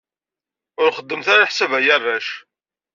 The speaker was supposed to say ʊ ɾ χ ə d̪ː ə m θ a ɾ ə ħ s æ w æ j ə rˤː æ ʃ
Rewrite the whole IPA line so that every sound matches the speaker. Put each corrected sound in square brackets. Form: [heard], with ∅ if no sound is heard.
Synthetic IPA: ʊ ɾ χ ə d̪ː ə m θ a ɾ [a] ħ s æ [v] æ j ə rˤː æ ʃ